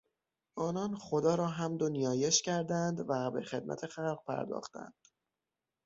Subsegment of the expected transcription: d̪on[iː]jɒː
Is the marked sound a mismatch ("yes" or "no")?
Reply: yes